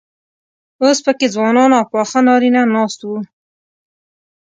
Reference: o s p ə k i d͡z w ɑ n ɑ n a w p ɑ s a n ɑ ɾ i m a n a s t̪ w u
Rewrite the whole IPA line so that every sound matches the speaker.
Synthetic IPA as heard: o s p ə k e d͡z w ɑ n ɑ n a w p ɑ x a n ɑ ɾ i n a n ɑ s t̪ w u